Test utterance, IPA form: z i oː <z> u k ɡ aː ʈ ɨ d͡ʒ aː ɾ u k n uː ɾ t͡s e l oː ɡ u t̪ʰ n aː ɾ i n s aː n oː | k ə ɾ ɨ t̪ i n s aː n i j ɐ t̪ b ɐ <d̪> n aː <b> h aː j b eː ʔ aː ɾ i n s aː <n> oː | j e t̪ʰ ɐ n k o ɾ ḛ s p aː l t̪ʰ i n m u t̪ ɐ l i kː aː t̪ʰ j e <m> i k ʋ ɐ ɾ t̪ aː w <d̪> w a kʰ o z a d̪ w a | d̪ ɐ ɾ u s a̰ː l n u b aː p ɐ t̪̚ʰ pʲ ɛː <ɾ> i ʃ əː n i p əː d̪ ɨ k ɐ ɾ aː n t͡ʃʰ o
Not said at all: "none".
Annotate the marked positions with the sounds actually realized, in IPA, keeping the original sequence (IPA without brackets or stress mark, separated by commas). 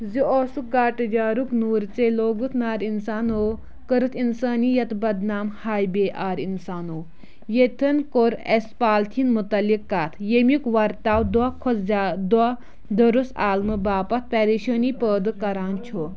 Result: s, d̪, m, n, m, d̪, ɾ